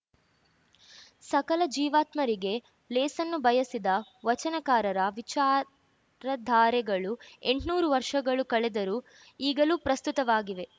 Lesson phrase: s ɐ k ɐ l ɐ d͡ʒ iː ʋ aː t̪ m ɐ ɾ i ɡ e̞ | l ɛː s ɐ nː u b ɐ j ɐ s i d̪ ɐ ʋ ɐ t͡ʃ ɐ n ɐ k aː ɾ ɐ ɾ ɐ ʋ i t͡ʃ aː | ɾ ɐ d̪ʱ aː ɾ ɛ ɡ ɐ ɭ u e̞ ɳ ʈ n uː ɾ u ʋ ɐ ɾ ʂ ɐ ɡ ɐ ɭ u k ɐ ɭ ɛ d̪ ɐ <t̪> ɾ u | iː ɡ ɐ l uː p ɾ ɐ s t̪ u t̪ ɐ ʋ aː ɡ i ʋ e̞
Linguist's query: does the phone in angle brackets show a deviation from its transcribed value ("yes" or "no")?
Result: yes